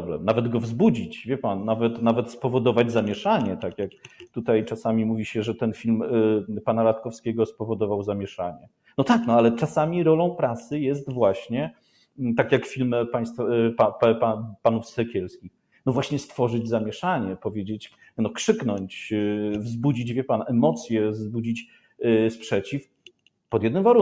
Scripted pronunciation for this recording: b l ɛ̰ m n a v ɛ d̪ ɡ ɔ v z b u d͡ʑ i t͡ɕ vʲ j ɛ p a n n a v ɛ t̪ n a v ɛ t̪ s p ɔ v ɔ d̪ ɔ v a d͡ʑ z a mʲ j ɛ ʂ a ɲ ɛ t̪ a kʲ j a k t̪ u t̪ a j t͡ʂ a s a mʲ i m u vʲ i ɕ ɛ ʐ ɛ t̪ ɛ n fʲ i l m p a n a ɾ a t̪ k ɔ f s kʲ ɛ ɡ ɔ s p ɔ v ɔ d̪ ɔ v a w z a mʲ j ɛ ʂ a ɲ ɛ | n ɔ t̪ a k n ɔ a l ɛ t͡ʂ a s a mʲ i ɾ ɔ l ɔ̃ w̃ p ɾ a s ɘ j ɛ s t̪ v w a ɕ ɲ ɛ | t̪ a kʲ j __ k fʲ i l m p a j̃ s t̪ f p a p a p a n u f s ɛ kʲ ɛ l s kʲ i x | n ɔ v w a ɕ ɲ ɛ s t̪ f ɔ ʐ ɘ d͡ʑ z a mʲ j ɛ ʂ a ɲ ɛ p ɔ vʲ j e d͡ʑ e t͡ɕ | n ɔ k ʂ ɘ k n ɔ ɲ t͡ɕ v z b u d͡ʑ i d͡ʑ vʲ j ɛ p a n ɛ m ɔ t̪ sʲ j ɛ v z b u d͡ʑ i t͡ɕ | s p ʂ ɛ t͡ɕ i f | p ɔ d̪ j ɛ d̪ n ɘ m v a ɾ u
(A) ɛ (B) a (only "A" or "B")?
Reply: B